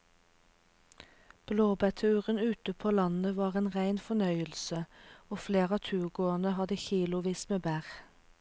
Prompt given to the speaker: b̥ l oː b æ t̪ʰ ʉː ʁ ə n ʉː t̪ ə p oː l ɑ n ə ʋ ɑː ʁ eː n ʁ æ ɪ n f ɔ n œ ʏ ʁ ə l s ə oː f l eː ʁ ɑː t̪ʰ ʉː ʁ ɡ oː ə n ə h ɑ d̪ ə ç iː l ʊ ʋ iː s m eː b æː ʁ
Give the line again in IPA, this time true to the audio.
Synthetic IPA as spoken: b̥ l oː b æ t̪ʰ ʉː ʁ ə n ʉː t̪ ə pʰ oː l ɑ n ə ʋ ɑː ʁ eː n ʁ æ ɪ n f ɔ n œ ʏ ə l s ə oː f l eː ʁ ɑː t̪ʰ ʉː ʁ ɡ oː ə n ə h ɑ d̪ ə ç iː l ʊ ʋ iː s m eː b æː ʁ